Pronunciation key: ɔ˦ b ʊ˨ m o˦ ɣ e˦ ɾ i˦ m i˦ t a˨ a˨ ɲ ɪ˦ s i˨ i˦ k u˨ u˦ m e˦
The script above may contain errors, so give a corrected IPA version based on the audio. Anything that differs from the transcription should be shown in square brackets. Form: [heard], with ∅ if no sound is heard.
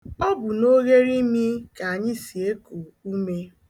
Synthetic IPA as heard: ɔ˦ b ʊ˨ [n] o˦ ɣ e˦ ɾ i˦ m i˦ [k] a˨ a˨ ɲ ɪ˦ s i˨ [e˦] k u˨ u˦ m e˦